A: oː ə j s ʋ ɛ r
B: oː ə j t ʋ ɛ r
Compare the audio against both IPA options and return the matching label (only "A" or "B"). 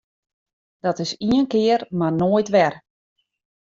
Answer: B